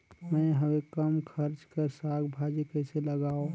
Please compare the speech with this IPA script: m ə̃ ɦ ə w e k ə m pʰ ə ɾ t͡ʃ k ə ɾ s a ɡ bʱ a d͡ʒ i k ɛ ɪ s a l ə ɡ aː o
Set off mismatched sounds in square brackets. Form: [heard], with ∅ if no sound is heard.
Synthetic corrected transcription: m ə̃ ɦ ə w e k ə m [kʰ] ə ɾ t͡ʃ k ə ɾ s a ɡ bʱ a d͡ʒ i k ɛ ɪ s [e] l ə ɡ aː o